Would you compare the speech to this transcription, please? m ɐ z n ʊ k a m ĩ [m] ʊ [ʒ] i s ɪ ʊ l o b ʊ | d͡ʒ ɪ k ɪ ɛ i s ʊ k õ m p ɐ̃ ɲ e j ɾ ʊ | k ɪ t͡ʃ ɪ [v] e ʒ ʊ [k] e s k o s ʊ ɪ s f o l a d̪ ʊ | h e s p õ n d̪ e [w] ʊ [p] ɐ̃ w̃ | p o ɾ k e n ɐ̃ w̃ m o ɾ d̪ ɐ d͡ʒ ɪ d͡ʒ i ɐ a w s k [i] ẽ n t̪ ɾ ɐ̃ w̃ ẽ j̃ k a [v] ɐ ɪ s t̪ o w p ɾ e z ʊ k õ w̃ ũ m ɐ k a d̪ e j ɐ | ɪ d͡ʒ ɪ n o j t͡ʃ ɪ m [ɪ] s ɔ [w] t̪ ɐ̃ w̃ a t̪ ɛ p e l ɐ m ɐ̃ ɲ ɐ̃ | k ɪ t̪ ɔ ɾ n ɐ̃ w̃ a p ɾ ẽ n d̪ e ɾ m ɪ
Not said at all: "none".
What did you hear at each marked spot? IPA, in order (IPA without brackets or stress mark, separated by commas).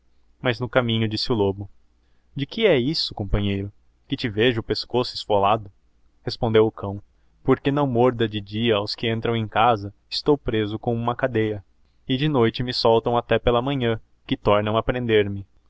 ɲ, d͡ʒ, v, p, w, k, ɪ, z, ɪ, w